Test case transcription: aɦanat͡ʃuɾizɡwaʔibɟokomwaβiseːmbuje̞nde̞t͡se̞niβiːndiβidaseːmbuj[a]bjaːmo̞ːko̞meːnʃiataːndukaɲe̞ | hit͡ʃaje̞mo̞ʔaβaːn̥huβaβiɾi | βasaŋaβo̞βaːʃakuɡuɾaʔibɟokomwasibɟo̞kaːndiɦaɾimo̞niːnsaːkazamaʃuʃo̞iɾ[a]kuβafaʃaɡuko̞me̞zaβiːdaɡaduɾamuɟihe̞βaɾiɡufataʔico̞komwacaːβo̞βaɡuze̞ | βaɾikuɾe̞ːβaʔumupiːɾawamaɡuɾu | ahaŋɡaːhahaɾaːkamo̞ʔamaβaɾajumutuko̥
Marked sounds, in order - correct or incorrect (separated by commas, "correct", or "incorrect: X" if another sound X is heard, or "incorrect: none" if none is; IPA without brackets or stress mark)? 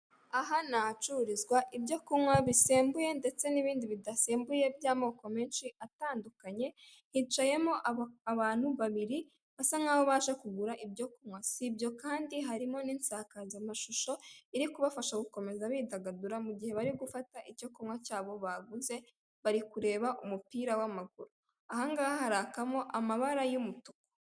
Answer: incorrect: e, incorrect: i